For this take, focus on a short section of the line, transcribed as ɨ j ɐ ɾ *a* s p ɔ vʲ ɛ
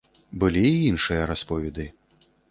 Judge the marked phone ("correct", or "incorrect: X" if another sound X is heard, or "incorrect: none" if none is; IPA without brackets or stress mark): correct